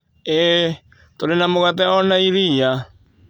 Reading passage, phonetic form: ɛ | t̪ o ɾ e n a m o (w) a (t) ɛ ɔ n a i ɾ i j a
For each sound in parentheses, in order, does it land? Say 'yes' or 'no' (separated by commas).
no, yes